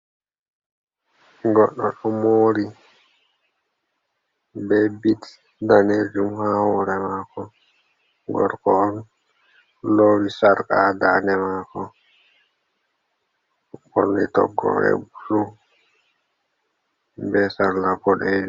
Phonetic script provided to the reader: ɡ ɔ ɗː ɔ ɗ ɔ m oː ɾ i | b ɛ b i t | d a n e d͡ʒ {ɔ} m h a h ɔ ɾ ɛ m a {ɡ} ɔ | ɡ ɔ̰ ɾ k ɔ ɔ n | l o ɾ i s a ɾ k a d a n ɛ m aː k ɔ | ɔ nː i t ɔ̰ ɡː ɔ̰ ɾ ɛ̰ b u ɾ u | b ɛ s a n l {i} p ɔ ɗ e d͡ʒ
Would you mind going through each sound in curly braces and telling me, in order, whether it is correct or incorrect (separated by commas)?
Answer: incorrect, incorrect, incorrect